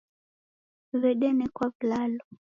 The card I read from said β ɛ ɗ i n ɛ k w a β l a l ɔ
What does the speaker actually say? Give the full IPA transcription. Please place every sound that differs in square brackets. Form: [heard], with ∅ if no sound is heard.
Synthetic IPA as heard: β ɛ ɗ [ɛ] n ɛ k w a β l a l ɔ